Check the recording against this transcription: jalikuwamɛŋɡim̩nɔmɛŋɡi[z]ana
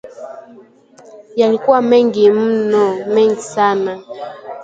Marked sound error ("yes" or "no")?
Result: yes